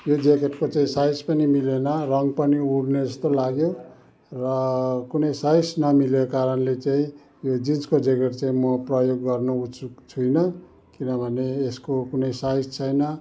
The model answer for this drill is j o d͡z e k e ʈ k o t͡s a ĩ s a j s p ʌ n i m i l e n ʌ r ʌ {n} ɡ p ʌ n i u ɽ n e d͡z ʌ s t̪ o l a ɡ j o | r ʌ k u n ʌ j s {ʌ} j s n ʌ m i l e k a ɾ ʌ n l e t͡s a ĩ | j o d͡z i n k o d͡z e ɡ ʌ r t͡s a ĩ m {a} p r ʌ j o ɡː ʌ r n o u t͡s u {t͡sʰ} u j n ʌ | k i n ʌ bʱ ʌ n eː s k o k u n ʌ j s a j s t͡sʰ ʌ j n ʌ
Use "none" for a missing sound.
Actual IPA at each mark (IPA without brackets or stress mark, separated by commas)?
ŋ, a, ʌ, t͡sʰ